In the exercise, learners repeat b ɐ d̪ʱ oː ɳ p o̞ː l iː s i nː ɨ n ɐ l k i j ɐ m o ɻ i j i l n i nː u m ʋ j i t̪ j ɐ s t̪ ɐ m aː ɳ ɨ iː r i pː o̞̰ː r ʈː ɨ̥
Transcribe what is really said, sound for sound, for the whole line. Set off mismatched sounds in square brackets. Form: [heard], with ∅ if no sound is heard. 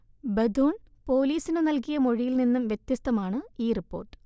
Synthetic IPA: b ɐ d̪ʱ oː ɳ p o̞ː l iː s i [n] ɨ n ɐ l k i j ɐ m o ɻ i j i l n i nː u m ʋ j [e] t̪ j ɐ s t̪ ɐ m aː ɳ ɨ iː r i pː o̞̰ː r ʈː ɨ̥